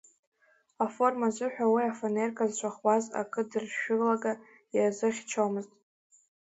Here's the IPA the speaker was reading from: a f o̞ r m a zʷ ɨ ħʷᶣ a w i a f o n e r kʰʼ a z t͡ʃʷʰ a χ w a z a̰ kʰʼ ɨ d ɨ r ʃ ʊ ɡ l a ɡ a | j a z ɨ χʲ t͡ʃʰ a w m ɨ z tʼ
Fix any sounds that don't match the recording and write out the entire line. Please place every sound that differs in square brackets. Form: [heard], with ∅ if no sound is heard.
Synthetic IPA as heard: a f o̞ r m a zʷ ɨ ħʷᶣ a w i a f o n e r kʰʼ a z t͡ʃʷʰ a χ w a z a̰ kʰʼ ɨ d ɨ r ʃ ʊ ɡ l a ɡ a | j a z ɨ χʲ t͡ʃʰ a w m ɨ z tʼ